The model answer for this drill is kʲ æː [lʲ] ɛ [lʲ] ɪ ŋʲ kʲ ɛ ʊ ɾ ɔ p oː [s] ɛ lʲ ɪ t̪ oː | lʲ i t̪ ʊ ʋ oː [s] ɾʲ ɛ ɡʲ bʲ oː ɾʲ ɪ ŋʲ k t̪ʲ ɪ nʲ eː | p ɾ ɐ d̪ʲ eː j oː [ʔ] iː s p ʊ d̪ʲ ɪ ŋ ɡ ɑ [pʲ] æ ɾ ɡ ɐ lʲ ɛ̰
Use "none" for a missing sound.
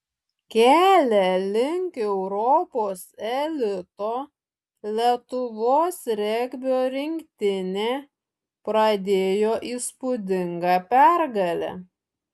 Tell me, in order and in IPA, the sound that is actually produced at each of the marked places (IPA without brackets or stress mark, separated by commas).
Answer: lʲ, lʲ, s, s, ʔ, pʲ